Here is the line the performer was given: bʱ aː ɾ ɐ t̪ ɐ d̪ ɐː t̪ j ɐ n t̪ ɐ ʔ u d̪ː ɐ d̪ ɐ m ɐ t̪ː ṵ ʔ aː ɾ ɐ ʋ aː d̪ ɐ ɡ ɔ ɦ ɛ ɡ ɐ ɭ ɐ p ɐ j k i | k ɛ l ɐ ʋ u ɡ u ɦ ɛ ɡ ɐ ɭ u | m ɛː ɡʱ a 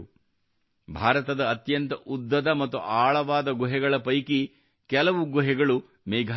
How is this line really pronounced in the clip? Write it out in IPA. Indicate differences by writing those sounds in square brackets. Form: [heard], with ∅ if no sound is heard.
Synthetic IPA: bʱ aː ɾ ɐ t̪ ɐ d̪ ɐː t̪ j ɐ n t̪ ɐ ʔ u d̪ː ɐ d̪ ɐ m ɐ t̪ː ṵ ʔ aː [ɭ] ɐ ʋ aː d̪ ɐ ɡ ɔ ɦ ɛ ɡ ɐ ɭ ɐ p ɐ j k i | k ɛ l ɐ ʋ u ɡ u ɦ ɛ ɡ ɐ ɭ u | m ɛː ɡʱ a